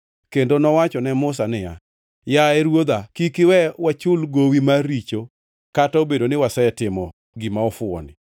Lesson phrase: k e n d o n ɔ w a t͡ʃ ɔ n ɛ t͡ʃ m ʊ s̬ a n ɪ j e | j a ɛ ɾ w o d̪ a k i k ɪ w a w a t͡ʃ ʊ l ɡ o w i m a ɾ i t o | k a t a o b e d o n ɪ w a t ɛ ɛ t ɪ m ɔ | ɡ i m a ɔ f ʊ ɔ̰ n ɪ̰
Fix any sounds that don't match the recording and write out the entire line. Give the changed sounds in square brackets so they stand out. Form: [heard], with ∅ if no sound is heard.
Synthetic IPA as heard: k e n d o n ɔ w a t͡ʃ ɔ n ɛ [∅] m ʊ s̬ a n ɪ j [a] | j a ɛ ɾ w o d̪ a k i k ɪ w [ɛ] w a t͡ʃ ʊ l ɡ o w i m a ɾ i [t͡ʃ] o | k a t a o b e d o n ɪ w a [s] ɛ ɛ t ɪ m ɔ | ɡ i m a ɔ f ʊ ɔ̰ n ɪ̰